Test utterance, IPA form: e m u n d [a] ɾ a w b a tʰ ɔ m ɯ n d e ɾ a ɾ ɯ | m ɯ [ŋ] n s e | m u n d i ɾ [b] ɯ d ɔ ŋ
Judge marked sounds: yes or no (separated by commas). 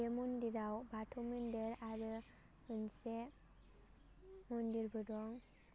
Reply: no, no, yes